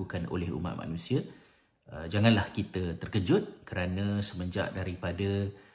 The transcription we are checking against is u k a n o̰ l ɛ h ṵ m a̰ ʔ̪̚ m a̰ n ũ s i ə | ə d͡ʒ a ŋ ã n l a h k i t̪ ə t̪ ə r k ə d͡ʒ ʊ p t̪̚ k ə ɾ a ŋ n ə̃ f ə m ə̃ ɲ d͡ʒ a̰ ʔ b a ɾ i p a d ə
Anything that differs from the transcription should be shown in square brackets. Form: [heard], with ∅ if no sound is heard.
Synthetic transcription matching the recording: u k a n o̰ l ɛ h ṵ m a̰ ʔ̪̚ m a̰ n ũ s i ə | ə d͡ʒ a ŋ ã n l a h k i t̪ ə t̪ ə r k ə d͡ʒ ʊ [∅] t̪̚ k ə ɾ a [∅] n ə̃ [s] ə m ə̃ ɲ d͡ʒ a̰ ʔ [d] a ɾ i p a d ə